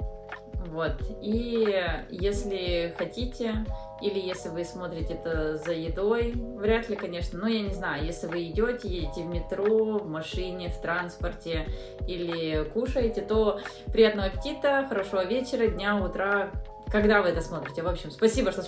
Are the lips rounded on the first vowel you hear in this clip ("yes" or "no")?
yes